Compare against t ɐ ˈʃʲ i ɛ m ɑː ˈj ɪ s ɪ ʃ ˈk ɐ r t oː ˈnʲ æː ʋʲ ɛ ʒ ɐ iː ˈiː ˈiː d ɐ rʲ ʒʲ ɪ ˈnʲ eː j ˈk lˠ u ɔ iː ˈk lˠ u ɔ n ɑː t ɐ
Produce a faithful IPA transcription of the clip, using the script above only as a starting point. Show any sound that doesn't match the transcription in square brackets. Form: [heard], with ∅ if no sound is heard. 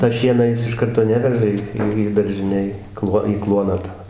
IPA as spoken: t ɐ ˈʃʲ i ɛ [n] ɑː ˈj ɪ s ɪ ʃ ˈk ɐ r t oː ˈnʲ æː ʋʲ ɛ ʒ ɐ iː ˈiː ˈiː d ɐ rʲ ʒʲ ɪ ˈnʲ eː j ˈk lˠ u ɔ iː ˈk lˠ u ɔ n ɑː t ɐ